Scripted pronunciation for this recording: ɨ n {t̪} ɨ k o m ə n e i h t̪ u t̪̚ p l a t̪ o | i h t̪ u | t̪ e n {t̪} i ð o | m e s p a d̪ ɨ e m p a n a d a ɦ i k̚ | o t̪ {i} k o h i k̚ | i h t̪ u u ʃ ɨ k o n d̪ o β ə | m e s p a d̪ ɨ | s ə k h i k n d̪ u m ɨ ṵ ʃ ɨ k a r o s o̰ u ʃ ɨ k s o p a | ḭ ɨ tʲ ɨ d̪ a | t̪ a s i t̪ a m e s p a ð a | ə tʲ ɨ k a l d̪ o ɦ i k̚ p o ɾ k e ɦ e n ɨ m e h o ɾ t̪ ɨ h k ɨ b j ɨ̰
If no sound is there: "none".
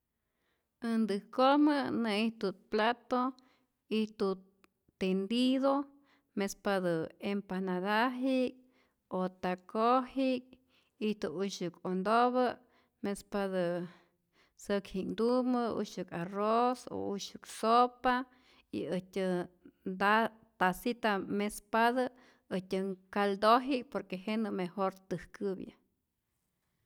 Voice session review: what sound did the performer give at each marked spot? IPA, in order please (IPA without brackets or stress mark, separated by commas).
d̪, d̪, a